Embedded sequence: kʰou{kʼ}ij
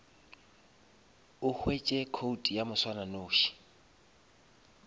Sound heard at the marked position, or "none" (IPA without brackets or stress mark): tʼ